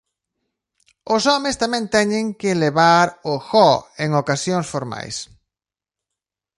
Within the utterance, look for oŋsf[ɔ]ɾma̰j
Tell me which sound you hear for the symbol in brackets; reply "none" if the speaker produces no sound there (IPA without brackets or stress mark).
o